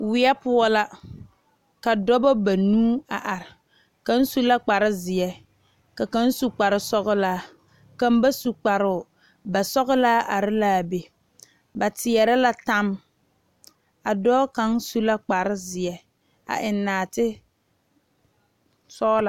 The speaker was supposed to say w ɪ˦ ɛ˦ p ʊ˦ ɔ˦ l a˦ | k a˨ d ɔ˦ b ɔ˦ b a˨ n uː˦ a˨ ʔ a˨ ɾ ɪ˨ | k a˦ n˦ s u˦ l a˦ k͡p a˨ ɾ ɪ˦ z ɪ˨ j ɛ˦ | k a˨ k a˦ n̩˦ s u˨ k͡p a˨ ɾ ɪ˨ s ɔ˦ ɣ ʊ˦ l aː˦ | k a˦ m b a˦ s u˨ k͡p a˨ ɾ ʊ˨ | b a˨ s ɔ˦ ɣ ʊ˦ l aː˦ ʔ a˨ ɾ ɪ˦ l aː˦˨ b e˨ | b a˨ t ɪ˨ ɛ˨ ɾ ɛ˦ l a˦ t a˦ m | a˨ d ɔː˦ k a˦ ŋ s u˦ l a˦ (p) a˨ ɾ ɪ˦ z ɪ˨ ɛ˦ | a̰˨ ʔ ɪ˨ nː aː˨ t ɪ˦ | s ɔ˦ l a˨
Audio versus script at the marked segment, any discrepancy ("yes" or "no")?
yes